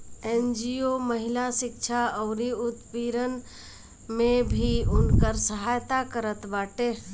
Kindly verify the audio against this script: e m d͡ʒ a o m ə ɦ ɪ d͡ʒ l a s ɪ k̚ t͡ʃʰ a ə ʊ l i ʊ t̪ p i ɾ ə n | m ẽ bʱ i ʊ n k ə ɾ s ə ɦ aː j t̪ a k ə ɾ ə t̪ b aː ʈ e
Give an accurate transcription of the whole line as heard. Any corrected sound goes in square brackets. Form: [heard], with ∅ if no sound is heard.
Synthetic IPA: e [n] d͡ʒ [i] o m ə ɦ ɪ [∅] l a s ɪ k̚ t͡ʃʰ a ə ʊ [ɾ] i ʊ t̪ p i ɾ ə n | m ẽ bʱ i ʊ n k ə ɾ s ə ɦ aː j t̪ a k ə ɾ ə t̪ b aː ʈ e